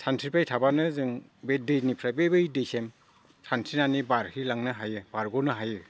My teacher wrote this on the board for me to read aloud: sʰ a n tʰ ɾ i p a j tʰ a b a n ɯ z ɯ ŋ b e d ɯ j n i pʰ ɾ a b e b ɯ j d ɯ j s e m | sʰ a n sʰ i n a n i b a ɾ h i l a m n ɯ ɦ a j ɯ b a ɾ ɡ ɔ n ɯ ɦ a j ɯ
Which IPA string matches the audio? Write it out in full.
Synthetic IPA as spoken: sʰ a n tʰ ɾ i p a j tʰ a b a n ɯ z ɯ ŋ b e d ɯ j n i pʰ ɾ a b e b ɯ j d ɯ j s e m | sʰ a n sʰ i n a n i b a ɾ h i l a ŋ n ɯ ɦ a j ɯ b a ɾ ɡ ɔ n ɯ ɦ a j ɯ